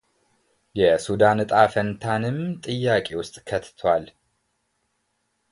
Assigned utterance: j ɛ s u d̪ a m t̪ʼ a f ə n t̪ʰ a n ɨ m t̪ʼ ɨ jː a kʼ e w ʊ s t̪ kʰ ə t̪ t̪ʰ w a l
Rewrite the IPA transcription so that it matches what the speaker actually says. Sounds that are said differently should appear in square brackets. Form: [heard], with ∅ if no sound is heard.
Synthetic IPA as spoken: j ɛ s u d̪ a [n] t̪ʼ a f ə n t̪ʰ a n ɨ m t̪ʼ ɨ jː a kʼ e w ʊ s [t̪ʼ] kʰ ə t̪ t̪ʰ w a l